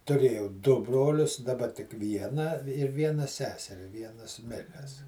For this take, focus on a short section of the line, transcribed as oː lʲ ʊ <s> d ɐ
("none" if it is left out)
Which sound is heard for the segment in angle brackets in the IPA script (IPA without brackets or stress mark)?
s